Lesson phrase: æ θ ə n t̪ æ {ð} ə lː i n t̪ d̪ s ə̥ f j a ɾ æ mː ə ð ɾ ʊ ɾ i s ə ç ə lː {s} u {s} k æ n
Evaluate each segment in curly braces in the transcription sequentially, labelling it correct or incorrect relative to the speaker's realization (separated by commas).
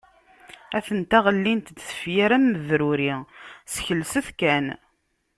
incorrect, correct, incorrect